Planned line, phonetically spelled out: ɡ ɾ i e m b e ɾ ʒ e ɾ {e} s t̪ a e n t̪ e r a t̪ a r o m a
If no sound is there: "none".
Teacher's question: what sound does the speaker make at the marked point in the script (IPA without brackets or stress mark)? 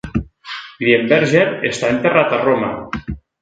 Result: e